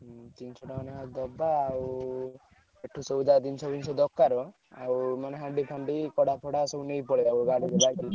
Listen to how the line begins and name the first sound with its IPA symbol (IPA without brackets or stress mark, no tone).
t̪